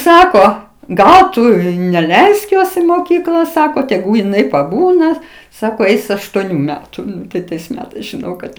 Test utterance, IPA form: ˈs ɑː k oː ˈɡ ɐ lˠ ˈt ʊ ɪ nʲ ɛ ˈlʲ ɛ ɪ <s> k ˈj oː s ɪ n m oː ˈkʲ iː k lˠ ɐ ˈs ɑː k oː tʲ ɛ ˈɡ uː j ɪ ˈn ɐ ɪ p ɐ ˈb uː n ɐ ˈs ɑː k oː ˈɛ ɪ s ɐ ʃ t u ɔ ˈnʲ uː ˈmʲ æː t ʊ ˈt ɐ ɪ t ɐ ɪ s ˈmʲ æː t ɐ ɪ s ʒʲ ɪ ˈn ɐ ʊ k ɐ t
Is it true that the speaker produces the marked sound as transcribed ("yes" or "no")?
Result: yes